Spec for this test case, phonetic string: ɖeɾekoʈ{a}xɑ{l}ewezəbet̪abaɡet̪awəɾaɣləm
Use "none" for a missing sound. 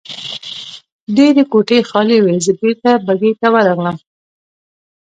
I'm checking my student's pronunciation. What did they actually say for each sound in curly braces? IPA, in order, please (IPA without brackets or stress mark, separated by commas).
e, l